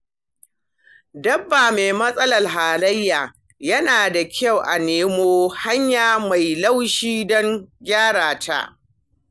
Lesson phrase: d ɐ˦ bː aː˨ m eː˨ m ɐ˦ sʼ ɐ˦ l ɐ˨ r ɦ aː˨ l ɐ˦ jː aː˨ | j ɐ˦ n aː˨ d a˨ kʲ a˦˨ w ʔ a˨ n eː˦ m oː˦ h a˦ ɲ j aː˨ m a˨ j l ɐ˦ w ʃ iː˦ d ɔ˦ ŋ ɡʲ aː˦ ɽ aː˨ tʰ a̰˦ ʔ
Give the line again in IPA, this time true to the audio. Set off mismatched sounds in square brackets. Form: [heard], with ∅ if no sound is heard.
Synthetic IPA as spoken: d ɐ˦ bː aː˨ m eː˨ m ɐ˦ sʼ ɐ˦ l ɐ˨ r ɦ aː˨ l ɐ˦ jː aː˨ | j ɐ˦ n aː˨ d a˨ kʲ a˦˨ w ʔ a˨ n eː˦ m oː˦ h a˦ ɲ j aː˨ m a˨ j l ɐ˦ w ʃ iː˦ d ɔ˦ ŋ ɡʲ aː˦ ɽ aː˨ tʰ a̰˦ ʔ